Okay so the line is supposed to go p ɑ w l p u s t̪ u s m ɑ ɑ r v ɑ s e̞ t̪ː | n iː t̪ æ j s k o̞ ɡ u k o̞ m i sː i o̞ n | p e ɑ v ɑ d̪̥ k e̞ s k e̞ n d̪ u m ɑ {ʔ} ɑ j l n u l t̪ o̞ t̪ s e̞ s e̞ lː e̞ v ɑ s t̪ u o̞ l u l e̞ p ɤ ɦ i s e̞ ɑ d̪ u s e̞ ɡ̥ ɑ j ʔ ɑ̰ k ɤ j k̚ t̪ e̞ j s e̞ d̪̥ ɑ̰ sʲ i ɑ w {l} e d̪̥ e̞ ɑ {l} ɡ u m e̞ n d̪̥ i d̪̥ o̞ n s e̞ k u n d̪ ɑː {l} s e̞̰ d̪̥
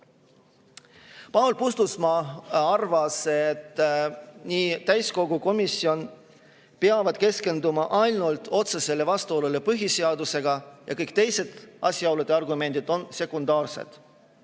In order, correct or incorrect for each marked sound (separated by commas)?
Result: correct, correct, incorrect, incorrect